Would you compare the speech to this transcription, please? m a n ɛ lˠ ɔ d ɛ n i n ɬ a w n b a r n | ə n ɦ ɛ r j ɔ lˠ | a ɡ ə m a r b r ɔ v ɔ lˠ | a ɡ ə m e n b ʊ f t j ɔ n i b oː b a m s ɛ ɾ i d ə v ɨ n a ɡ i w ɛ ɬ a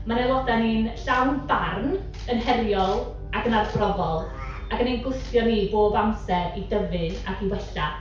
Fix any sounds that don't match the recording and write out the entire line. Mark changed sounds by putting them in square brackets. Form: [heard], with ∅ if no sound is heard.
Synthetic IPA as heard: m a n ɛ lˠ ɔ d [a] n i n ɬ a w n b a r n | ə n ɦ ɛ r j ɔ lˠ | a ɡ ə [n] a r b r ɔ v ɔ lˠ | a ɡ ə [n] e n [ɡ] ʊ [s] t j ɔ n i b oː b a m s ɛ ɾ i d ə v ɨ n a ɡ i w ɛ ɬ a